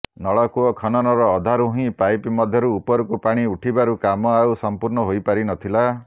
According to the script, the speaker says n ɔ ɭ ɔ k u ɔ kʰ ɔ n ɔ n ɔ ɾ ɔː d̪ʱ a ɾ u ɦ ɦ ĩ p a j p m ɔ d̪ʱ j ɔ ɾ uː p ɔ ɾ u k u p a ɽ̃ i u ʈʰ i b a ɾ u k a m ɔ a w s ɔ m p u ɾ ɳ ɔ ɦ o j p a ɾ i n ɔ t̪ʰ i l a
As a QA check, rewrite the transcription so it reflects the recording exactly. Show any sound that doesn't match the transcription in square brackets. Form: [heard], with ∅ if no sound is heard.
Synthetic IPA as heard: n ɔ ɭ ɔ k u ɔ kʰ ɔ n ɔ n ɔ ɾ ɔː d̪ʱ a ɾ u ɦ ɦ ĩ p a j p m ɔ d̪ʱ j ɔ ɾ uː p ɔ ɾ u k u p a ɽ̃ i u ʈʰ i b a ɾ u k a m ɔ a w s ɔ m p u ɾ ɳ ɔ ɦ o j p a ɾ i n ɔ t̪ʰ i l a